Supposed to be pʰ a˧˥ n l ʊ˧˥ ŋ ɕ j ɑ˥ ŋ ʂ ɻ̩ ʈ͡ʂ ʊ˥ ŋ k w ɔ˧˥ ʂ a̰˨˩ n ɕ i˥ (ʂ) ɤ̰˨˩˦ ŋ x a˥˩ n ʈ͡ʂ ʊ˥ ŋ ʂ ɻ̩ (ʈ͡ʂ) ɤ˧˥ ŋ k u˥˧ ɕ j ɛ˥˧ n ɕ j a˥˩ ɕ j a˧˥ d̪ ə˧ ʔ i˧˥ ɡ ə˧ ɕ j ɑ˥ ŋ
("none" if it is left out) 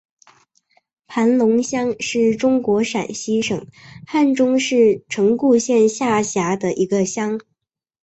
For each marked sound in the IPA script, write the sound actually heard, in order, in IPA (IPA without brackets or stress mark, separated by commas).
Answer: ʂ, ʈ͡ʂʰ